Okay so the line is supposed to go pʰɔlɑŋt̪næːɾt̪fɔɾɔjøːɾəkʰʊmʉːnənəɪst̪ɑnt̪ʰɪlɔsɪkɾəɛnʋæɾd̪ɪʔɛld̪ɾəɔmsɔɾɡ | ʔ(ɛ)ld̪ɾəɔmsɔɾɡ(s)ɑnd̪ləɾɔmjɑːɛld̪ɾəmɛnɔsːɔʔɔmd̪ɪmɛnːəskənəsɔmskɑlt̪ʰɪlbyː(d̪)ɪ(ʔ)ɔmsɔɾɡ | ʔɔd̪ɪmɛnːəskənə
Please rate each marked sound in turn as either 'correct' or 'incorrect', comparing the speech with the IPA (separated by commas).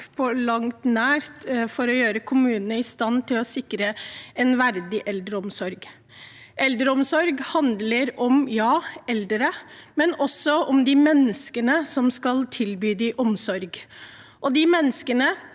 correct, incorrect, correct, correct